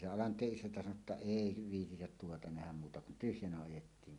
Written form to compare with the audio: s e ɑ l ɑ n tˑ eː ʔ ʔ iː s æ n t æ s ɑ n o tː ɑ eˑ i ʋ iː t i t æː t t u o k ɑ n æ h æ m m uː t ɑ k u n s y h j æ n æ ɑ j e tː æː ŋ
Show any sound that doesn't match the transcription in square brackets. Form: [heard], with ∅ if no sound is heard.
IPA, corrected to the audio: s e ɑ l ɑ n tˑ eː ʔ ʔ [i] s æ n t æ s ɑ n o tː ɑ eˑ i ʋ iː t i t [æ] t t u o [t] ɑ n æ h æ m m uː t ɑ k u n [t] y h j æ n æ ɑ j e tː [iː] ŋ

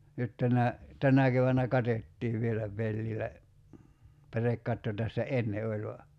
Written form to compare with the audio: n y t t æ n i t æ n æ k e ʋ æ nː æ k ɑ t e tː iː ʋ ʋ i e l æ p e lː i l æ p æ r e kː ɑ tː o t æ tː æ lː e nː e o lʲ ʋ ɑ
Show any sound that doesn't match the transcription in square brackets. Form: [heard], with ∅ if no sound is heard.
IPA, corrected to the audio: n y t t æ n [æ] t æ n æ k e ʋ æ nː æ k ɑ t e tː iː ʋ ʋ i e l æ p e lː i l æ p æ r e kː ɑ tː o t æ [sː] æ [∅] e nː e o lʲ ʋ ɑ

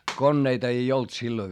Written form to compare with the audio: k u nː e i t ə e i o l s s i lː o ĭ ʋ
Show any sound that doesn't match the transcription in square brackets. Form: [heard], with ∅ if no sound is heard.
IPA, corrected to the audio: k [o] nː e i t [ɑ] e i o l [t] s i lː o ĭ ʋ

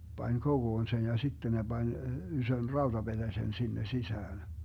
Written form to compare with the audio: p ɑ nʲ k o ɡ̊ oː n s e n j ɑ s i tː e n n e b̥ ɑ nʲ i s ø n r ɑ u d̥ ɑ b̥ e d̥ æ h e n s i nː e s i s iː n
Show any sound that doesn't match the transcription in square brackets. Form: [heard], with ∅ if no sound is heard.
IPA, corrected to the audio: p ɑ nʲ k o ɡ̊ oː n s e n j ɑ s i tː e n n e b̥ ɑ nʲ [y] s ø n r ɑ u d̥ ɑ b̥ e d̥ æ [s] e n s i nː e s i s [æː] n

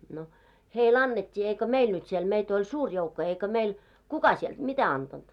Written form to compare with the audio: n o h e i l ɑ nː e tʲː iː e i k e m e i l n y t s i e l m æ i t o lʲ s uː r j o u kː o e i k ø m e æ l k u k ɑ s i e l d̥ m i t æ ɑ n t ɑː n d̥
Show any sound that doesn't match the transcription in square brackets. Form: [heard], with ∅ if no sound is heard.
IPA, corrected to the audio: n o h e i l ɑ nː e tʲː iː e i k [ø] m e i l n y t s i e l m [e] i t o lʲ s uː r j o u kː o e i k ø m e [i] l k u k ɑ s i e l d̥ m i t æ ɑ n t [ɑ] n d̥

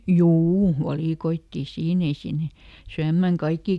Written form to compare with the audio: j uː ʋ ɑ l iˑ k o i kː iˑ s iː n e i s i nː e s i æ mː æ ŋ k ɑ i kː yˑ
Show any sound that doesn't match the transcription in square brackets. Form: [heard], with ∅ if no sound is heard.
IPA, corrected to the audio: j uː ʋ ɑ l iˑ k o i [tː] iˑ s iː n e i s i nː e s [y] æ mː æ ŋ k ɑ i kː [iˑ]

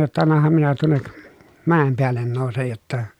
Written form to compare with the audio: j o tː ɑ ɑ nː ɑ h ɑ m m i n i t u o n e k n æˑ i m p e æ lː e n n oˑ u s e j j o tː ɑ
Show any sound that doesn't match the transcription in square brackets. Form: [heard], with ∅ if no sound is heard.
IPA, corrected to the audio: j o tː ɑ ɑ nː ɑ h ɑ m m i n [æ] t u o [nː] e k [m] æˑ [e] m p e æ lː e n n oˑ u s e j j o tː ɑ

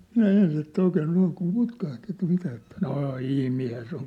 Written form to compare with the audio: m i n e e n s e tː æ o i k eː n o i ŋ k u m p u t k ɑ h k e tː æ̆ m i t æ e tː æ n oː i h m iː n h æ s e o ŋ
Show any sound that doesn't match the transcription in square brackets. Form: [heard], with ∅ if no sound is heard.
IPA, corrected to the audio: m i n [æ] e n s e tː æ o i k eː n o i ŋ k u m p u t k ɑ h [t] e tː æ̆ m i t æ e tː æ n oː i h m iː n h æ s e o ŋ

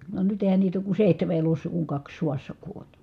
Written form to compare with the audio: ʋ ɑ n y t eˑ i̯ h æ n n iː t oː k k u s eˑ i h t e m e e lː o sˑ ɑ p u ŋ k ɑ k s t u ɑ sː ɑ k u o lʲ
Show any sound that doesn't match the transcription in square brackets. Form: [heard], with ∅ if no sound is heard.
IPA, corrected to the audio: ʋ ɑ n y t eˑ i̯ h æ n n iː t oː k k u s eˑ i h t e m e e [l] o sˑ ɑ [k] u ŋ k ɑ k s [s] u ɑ sː ɑ k u o lʲ

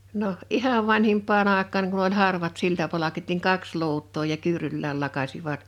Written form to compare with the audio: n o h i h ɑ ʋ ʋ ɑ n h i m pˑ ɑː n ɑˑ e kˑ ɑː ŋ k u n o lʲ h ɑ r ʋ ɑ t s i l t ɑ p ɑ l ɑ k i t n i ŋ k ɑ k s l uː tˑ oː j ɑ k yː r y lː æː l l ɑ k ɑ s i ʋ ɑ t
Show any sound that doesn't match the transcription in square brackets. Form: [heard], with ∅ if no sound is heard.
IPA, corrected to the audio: n o h i h ɑ ʋ ʋ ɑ n h i m pˑ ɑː n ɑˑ e kˑ ɑː ŋ k u n o lʲ h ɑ r ʋ ɑ t s i l t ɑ p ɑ l ɑ k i t n i ŋ k ɑ k s l uː tˑ oː j ɑ k yː r y lː æː l l ɑ k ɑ s i ʋ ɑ t

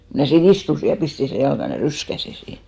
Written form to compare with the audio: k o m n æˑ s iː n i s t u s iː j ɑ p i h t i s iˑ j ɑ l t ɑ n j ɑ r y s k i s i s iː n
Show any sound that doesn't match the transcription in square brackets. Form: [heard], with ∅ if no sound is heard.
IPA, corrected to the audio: k o m n æˑ s iː n i s t u s [i] j ɑ p i [s] t i s [eˑ] j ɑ l [k] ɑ n j ɑ r y s k [æ] s i s iː n

